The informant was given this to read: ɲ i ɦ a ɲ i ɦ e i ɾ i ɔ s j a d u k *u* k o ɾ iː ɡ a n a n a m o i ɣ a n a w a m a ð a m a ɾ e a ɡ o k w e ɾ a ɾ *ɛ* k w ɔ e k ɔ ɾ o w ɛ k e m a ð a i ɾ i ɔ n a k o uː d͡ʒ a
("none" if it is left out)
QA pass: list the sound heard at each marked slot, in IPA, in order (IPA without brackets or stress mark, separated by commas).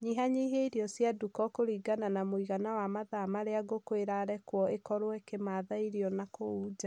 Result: ɔ, ɛ